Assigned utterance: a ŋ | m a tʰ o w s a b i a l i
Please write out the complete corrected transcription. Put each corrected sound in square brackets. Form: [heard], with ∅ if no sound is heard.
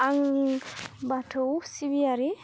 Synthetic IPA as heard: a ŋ | [b] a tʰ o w s [i] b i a [ɾ] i

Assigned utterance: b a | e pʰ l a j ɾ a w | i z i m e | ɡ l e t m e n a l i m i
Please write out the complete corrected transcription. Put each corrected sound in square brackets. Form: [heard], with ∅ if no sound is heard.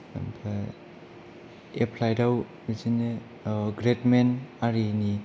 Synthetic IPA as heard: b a | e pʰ l a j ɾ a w | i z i [n] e | ɡ [ɾ] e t m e n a [ɾ] i [n] i

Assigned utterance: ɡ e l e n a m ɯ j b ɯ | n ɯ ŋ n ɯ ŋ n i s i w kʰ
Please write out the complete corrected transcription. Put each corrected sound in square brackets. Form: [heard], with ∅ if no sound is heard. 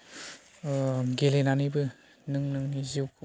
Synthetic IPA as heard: ɡ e l e n a [n] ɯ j b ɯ | n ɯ ŋ n ɯ ŋ n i [z] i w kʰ

